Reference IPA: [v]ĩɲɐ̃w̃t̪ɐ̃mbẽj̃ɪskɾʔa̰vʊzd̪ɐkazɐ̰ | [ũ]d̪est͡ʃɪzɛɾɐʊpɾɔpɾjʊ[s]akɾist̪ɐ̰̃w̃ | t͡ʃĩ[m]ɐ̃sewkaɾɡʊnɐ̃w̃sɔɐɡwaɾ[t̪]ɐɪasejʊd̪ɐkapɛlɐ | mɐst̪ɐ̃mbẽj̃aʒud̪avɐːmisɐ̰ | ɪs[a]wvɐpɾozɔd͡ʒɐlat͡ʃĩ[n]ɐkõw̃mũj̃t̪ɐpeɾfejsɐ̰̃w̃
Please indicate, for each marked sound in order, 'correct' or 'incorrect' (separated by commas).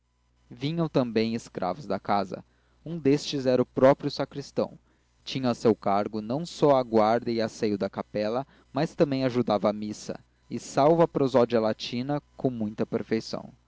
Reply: correct, correct, correct, incorrect, incorrect, correct, correct